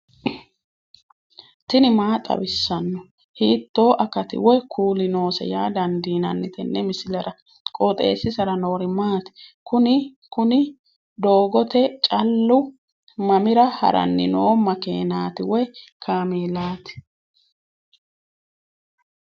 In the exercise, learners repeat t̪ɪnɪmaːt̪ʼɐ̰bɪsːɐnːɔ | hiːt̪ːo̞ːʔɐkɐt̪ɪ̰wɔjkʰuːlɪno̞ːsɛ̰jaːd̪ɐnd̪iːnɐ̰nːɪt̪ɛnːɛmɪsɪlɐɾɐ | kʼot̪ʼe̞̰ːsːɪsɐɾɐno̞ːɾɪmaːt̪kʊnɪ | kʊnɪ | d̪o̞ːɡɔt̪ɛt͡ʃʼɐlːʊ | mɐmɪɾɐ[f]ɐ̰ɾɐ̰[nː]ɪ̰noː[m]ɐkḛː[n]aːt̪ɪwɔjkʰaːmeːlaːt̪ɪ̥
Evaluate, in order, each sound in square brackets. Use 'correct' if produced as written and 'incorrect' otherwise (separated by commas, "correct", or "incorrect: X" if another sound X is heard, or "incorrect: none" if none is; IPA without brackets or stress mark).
incorrect: h, correct, correct, correct